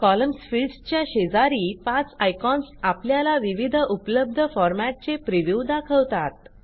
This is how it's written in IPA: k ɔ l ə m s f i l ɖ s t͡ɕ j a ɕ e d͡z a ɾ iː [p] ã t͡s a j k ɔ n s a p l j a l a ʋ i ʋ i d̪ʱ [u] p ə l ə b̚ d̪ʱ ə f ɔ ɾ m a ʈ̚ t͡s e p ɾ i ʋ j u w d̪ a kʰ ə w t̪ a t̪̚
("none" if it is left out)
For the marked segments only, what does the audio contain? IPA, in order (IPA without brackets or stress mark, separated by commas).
p, u